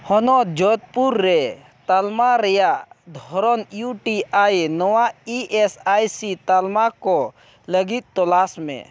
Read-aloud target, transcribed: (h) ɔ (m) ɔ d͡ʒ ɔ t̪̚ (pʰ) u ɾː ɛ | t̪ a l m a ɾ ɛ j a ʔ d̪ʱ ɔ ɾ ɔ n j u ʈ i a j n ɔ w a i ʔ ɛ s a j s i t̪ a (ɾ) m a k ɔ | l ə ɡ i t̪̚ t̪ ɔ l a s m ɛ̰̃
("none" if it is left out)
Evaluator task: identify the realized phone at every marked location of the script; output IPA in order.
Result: h, n, p, l

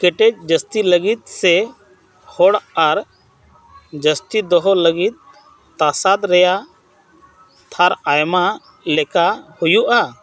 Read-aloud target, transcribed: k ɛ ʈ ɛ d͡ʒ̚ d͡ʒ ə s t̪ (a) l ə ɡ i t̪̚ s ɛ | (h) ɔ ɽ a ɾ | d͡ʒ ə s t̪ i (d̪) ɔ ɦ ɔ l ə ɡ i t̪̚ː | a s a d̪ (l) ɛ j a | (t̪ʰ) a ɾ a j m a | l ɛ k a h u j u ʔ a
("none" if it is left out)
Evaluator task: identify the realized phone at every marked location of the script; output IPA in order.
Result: i, h, d̪, ɾ, t̪ʰ

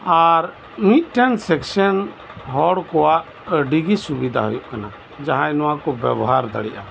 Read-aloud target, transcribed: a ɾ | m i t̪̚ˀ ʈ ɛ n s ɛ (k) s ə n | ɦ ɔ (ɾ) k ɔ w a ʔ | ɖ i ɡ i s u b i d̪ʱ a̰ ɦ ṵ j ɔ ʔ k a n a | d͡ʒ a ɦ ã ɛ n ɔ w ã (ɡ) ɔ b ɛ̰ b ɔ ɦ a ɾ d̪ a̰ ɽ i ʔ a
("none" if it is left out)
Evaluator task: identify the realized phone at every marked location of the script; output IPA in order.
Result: k, ɽ, k

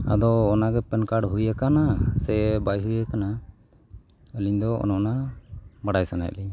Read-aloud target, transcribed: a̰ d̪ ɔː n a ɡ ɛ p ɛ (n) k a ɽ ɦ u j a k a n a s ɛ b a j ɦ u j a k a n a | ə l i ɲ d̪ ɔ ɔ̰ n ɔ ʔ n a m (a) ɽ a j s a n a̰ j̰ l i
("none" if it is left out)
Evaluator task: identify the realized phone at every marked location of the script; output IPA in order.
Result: n, a

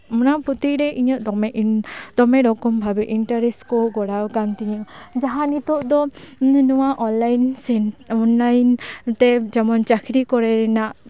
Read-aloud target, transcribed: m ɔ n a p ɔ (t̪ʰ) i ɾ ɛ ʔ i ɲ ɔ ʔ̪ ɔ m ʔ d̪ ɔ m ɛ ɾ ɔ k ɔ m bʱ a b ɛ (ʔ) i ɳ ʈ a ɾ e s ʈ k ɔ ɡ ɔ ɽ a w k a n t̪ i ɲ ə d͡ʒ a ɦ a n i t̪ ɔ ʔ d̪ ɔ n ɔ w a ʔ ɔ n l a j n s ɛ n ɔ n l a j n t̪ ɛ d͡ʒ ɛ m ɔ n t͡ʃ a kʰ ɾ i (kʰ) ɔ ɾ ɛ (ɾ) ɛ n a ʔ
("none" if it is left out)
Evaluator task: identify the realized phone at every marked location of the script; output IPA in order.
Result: t̪, ʔ, k, ɾ

